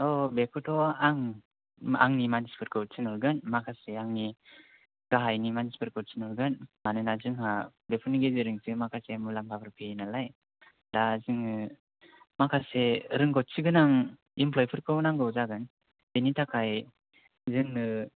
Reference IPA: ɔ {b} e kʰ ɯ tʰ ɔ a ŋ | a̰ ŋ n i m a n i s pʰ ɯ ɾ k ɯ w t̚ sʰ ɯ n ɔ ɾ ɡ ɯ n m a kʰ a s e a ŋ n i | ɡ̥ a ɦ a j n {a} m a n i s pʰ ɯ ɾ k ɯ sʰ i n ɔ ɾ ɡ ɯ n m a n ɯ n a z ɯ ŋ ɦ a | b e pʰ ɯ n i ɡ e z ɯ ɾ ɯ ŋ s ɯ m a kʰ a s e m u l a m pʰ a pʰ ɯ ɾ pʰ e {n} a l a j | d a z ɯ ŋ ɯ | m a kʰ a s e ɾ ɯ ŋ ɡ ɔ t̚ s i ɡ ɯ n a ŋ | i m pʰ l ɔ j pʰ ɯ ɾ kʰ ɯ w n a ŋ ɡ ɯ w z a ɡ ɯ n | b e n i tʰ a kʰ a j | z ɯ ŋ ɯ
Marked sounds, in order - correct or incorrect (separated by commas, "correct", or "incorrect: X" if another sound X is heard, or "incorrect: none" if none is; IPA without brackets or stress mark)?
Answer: correct, incorrect: i, correct